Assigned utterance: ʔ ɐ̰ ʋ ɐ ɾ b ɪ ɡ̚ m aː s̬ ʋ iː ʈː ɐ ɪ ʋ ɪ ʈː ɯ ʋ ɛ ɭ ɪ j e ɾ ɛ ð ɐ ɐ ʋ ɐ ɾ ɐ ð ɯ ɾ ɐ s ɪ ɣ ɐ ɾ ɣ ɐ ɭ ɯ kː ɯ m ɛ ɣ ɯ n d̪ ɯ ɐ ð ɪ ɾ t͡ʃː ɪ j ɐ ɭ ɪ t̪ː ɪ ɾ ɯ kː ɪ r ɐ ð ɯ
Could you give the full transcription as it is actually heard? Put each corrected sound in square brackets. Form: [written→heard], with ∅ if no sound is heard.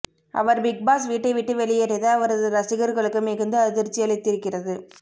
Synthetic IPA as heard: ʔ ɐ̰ ʋ ɐ ɾ b ɪ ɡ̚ [m→b] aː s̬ ʋ iː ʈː ɐ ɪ ʋ ɪ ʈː ɯ ʋ ɛ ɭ ɪ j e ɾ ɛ ð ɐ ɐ ʋ ɐ ɾ ɐ ð ɯ ɾ ɐ s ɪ ɣ ɐ ɾ ɣ ɐ ɭ ɯ kː ɯ m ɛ ɣ ɯ n d̪ ɯ ɐ ð ɪ ɾ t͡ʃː ɪ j ɐ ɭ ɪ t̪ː ɪ ɾ ɯ kː ɪ r ɐ ð ɯ